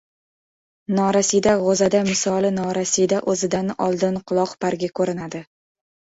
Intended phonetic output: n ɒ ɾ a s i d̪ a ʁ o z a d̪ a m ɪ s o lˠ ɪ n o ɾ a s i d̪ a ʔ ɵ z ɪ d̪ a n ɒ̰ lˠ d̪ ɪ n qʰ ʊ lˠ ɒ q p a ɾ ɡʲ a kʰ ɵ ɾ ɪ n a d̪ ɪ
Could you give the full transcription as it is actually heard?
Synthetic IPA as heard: n ɒ ɾ a s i d̪ a ʁ o z a d̪ a m ɪ s ɒ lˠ ɪ n ɒ ɾ a s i d̪ a ʔ ɵ z ɪ d̪ a n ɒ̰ lˠ d̪ ɪ n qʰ ʊ lˠ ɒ q p a ɾ ɡʲ a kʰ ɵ ɾ ɪ n a d̪ ɪ